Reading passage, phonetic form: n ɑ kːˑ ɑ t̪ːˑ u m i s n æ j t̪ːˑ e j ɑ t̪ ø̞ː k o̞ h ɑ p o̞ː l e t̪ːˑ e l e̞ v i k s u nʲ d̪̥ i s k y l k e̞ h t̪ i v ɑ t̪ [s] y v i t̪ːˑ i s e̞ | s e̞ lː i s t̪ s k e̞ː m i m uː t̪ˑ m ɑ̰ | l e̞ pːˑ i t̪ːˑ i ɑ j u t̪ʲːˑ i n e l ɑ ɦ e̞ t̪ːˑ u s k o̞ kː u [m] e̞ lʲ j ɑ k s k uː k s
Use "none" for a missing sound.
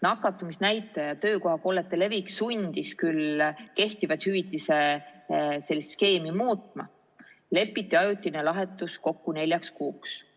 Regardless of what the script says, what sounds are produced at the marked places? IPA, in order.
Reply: h, n

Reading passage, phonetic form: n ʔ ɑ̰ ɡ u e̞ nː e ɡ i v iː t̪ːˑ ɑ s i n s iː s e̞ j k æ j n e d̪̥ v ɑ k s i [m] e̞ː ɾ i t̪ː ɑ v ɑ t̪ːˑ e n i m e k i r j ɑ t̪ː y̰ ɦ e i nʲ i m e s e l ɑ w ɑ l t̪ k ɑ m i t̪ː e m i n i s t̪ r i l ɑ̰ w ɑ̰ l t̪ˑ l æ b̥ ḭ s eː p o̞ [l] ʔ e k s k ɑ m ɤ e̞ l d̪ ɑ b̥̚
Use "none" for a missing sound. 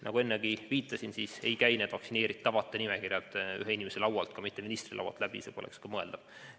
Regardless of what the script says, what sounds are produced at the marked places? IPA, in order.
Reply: n, l

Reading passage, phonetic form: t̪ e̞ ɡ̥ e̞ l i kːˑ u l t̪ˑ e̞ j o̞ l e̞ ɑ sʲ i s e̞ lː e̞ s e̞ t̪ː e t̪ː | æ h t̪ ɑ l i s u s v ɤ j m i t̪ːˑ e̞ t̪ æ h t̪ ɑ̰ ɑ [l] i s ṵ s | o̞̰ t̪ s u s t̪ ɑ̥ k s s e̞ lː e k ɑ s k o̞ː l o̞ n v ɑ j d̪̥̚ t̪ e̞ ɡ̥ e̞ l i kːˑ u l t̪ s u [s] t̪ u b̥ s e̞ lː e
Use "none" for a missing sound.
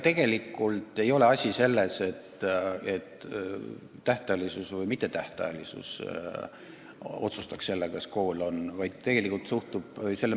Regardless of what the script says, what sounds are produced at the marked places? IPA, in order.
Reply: l, h

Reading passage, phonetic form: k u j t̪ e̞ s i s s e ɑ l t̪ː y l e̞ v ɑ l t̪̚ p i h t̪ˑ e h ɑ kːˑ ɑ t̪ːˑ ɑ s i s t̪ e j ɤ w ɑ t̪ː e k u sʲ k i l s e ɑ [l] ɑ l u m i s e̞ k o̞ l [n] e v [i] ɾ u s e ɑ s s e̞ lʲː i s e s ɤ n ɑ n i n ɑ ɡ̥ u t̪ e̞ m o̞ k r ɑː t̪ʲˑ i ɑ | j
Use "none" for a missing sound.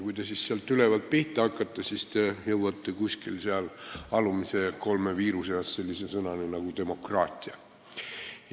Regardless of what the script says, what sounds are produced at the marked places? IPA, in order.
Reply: l, m, iː

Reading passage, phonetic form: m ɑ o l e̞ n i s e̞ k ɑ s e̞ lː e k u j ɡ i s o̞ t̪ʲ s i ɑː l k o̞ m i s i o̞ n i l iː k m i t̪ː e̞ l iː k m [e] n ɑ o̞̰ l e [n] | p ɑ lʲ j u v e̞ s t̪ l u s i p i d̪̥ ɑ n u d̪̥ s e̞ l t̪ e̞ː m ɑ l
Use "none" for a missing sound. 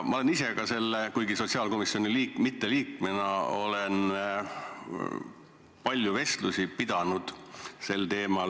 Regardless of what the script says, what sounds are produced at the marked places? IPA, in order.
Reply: e, n

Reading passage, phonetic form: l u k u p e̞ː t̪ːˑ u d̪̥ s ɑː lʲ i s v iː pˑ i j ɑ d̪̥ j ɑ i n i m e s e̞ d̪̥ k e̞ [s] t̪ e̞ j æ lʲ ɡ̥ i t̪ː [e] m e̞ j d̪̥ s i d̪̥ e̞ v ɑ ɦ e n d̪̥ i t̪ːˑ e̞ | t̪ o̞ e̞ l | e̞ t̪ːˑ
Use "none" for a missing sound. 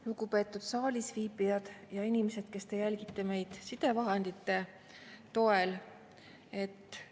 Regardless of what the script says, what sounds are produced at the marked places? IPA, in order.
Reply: s, e

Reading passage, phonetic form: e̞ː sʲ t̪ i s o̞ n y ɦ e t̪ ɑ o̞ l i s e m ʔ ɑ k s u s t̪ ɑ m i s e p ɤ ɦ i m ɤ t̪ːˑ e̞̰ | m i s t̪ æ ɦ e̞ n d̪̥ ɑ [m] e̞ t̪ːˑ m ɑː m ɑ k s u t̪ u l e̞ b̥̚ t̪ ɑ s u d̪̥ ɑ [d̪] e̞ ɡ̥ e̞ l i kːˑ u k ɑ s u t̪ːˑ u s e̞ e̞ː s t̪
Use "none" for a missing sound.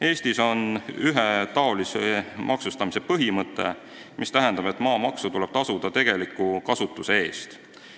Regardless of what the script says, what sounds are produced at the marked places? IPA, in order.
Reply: b, t̪

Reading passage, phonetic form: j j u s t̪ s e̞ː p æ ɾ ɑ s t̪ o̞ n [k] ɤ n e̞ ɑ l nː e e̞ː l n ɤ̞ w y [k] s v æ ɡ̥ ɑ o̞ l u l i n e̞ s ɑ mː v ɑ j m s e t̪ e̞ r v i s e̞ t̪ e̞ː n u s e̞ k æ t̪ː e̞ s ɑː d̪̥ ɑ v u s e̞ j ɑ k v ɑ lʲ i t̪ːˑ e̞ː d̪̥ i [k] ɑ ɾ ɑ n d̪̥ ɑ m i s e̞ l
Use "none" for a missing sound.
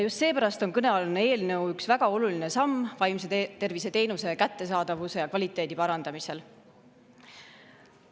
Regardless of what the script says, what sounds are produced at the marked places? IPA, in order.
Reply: k, k, p

